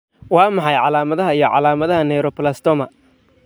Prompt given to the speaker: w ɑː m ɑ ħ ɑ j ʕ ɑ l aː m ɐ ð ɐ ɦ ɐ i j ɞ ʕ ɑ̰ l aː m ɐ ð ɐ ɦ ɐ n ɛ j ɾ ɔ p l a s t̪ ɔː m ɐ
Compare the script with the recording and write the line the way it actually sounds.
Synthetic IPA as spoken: w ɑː m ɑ ħ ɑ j ʕ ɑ l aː m ɐ ð ɐ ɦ ɐ i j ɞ ʕ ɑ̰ l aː m ɐ ð ɐ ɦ ɐ n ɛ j ɾ ɔ p l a s t̪ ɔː m ɐ